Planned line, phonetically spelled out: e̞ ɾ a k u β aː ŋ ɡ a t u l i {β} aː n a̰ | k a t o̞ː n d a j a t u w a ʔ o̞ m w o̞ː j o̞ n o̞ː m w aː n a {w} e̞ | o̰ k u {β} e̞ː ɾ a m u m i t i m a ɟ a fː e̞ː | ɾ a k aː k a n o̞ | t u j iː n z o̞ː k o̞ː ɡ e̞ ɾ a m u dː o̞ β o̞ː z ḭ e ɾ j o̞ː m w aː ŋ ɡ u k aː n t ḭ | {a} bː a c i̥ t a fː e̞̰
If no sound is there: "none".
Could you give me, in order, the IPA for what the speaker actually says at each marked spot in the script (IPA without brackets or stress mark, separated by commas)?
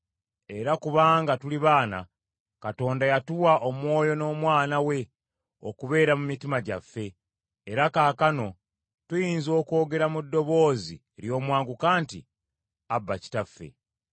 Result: β, w, β, a